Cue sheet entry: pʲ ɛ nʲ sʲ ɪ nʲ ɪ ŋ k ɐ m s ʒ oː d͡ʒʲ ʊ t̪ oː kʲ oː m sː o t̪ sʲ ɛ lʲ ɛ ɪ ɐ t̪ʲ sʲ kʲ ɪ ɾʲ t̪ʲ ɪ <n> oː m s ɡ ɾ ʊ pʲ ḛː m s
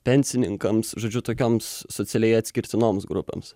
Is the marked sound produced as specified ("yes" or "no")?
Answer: yes